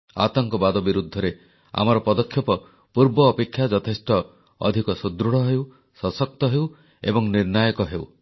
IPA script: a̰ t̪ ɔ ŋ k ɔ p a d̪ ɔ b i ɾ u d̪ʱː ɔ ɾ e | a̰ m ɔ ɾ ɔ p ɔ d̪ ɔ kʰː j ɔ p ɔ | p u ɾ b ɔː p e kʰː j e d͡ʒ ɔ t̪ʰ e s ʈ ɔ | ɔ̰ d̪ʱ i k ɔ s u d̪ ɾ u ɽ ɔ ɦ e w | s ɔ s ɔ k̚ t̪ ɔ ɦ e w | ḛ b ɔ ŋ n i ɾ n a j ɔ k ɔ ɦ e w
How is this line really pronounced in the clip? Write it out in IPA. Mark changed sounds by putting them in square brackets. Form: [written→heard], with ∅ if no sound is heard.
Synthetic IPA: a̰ t̪ ɔ ŋ k ɔ [p→b] a d̪ ɔ b i ɾ u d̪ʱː ɔ ɾ e | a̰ m ɔ ɾ ɔ p ɔ d̪ ɔ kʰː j ɔ p ɔ | p u ɾ b ɔː p e kʰː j [e→a] d͡ʒ ɔ t̪ʰ e s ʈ ɔ | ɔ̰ d̪ʱ i k ɔ s u d̪ ɾ u ɽ ɔ ɦ e w | s ɔ s ɔ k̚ t̪ ɔ ɦ e w | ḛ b ɔ ŋ n i ɾ n a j ɔ k ɔ ɦ e w